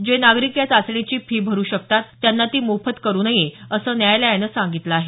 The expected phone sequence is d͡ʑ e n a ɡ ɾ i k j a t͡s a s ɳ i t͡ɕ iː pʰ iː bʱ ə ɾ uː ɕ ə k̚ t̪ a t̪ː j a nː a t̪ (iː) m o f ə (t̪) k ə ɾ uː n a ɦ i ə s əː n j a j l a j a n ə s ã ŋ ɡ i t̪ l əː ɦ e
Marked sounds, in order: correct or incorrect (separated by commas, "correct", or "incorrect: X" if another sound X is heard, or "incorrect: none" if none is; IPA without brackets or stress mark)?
correct, correct